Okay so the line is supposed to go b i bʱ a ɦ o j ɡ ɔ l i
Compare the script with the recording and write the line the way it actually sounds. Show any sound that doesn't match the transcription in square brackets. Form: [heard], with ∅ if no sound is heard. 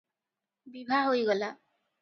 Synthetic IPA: b i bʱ a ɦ o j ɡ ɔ l [a]